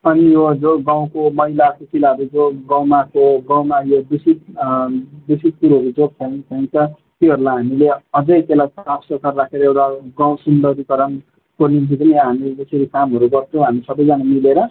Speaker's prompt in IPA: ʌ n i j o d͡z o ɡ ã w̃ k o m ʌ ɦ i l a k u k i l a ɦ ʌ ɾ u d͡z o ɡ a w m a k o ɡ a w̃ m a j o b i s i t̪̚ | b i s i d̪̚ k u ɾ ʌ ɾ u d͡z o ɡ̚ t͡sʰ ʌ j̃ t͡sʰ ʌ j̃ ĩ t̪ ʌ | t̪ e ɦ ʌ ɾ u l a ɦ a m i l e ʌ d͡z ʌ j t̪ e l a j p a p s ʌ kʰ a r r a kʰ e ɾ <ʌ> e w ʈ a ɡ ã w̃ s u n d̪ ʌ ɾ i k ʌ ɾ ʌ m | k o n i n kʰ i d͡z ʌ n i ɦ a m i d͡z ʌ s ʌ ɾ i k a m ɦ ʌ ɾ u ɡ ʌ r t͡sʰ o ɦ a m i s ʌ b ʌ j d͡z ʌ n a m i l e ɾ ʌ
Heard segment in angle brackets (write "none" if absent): ʌ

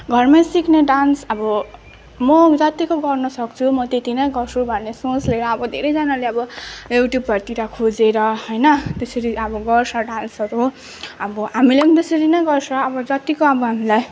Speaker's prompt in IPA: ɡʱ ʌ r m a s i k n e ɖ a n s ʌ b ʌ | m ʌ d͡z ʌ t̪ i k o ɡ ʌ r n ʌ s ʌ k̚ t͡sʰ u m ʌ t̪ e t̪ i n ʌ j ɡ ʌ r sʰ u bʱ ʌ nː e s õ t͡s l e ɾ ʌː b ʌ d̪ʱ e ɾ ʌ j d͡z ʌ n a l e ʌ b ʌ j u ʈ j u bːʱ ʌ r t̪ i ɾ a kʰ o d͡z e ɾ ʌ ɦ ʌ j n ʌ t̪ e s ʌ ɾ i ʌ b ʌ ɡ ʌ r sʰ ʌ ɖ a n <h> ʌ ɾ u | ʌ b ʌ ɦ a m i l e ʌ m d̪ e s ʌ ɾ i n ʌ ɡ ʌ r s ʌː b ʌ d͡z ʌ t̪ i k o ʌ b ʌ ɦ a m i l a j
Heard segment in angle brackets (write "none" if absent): s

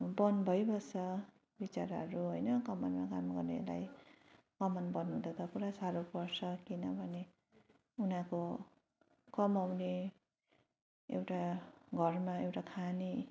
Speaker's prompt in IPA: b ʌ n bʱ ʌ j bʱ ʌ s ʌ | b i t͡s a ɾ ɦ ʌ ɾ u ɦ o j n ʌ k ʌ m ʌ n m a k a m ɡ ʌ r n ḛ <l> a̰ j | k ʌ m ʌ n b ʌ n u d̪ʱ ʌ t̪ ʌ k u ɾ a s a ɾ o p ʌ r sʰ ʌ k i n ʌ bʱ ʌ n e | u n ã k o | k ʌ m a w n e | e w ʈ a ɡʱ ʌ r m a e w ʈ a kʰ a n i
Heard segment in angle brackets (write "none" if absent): l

